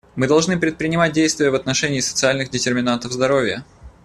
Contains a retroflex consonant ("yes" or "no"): yes